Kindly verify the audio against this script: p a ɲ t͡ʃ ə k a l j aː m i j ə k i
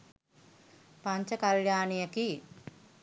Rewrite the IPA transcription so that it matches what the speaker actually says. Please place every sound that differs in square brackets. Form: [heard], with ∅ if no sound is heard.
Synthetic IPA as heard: p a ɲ t͡ʃ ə k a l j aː [n] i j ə k i